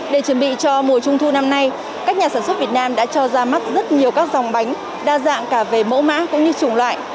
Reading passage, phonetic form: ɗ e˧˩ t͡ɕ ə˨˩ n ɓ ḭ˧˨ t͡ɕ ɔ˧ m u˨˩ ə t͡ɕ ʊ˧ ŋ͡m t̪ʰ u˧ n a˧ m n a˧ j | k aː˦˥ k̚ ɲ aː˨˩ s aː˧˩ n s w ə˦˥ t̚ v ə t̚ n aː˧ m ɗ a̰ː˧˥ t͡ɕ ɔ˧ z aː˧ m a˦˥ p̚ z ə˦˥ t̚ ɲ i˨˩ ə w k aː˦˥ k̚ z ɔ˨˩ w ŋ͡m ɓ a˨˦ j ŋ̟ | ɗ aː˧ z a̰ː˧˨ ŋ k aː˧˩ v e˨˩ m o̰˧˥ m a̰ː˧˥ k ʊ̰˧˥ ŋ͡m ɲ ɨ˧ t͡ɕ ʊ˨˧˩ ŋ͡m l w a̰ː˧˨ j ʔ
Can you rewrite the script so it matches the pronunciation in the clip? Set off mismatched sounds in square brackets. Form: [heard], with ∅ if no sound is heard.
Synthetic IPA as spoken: ɗ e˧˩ t͡ɕ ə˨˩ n ɓ ḭ˧˨ t͡ɕ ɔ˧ m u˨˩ ə t͡ɕ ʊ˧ ŋ͡m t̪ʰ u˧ n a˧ m n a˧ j | k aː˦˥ k̚ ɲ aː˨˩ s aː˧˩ n s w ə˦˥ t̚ v ə t̚ n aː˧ m ɗ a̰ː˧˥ t͡ɕ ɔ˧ z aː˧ m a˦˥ [t̚] z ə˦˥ t̚ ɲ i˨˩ ə w k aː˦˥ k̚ z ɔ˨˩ w ŋ͡m ɓ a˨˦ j ŋ̟ | ɗ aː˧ z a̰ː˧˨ ŋ k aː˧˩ v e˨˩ m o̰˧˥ m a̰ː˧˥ k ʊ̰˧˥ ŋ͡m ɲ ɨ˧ t͡ɕ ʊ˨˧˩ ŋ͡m l w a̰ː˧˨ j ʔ